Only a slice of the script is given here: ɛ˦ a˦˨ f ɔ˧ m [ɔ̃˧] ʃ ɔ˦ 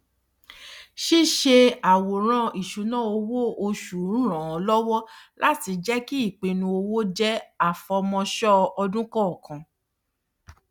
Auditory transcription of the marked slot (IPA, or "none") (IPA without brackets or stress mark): ɔ̃˧